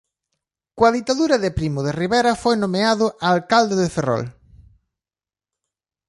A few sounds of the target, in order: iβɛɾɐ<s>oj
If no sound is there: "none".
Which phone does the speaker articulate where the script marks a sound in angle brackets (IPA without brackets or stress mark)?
f